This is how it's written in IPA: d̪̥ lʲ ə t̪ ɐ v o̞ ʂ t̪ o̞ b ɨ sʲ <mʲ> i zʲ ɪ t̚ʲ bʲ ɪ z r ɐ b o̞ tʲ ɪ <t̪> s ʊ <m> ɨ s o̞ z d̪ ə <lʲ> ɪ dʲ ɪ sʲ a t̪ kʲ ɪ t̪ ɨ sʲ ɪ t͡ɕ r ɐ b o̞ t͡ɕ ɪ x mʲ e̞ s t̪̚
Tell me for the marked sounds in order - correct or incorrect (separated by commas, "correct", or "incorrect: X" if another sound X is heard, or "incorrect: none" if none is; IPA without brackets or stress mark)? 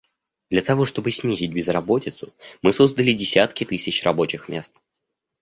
incorrect: nʲ, correct, correct, correct